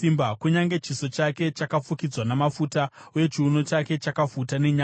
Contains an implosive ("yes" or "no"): no